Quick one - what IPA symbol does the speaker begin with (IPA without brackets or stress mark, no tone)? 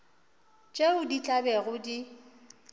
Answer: t͡ʃʼ